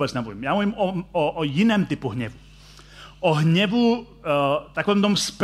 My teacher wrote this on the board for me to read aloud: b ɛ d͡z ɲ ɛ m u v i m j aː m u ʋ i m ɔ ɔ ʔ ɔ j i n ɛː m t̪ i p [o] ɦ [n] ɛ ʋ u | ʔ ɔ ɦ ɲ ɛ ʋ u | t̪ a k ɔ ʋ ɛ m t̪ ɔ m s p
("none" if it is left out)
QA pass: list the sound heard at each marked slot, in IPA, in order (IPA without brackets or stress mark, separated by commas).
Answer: u, ɲ